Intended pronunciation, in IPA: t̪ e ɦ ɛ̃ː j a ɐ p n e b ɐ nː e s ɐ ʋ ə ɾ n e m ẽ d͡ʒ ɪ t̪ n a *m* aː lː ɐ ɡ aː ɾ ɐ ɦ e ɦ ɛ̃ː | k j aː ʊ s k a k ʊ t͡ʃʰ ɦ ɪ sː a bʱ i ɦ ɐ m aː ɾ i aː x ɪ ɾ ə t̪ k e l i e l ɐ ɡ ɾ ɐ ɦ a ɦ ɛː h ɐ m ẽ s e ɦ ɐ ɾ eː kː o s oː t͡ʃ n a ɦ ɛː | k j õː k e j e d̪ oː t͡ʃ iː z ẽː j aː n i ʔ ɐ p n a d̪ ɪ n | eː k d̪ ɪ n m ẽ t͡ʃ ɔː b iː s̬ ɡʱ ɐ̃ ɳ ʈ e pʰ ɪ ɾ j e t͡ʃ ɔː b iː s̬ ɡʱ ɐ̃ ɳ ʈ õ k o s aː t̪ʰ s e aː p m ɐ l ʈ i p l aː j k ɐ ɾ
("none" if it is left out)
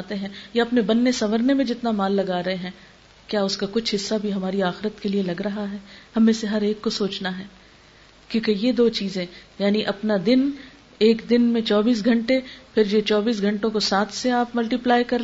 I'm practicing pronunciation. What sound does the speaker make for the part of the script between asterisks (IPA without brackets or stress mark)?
m